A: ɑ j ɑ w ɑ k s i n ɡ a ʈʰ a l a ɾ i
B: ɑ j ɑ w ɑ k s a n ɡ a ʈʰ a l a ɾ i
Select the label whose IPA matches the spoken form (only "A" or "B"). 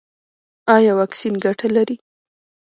A